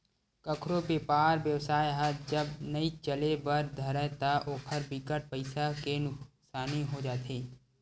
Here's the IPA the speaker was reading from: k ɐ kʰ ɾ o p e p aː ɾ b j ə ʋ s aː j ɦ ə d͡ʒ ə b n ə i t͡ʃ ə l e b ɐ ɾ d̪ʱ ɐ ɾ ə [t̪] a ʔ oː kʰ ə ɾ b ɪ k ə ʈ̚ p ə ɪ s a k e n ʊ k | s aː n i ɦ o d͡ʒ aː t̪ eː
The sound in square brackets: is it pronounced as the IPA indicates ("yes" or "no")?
yes